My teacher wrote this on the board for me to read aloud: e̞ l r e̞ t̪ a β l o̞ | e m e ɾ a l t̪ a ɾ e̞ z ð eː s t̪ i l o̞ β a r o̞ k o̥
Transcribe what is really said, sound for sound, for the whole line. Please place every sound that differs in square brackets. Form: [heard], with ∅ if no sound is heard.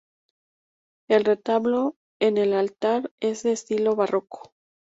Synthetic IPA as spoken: e̞ l r e̞ t̪ a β l o̞ | e [n] e [l] a l t̪ a ɾ e̞ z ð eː s t̪ i l o̞ β a r o̞ k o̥